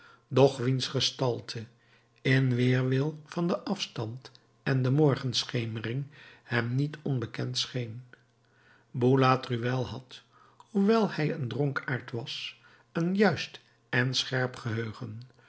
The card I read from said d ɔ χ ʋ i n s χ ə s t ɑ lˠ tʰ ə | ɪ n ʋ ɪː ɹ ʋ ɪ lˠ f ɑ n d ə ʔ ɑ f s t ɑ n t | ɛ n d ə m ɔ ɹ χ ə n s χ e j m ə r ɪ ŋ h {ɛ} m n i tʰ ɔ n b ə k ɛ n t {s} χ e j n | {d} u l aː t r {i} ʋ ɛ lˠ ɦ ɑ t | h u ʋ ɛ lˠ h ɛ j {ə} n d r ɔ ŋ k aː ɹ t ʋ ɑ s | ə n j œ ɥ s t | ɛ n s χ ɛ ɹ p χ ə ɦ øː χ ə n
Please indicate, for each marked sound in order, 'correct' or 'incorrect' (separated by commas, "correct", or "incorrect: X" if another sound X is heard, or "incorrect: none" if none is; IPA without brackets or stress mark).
correct, correct, incorrect: b, incorrect: y, correct